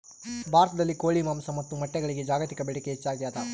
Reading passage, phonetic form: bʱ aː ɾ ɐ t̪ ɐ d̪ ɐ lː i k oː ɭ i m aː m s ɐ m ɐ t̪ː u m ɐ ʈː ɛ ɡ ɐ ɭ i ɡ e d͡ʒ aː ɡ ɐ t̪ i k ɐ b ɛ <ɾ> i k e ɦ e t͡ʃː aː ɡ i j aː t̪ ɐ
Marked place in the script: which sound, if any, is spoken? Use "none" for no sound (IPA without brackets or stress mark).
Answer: ɽ